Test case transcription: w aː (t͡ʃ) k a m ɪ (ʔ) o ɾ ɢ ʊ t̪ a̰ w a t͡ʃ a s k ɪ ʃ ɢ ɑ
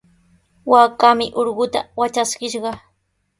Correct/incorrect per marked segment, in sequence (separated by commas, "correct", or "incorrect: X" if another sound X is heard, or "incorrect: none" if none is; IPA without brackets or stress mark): incorrect: none, correct